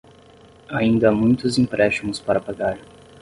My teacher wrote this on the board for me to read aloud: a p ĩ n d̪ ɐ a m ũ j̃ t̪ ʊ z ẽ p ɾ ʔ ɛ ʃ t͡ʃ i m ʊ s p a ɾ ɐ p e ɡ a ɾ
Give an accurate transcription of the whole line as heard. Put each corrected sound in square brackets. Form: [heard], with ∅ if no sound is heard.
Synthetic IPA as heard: a [∅] ĩ n d̪ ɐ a m ũ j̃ t̪ ʊ z [ĩ] p ɾ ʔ ɛ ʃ t͡ʃ i m ʊ s p a ɾ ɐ p [a] ɡ a ɾ